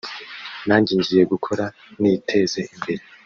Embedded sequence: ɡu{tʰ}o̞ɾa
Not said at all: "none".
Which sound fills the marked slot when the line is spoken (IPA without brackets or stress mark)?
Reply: kʰ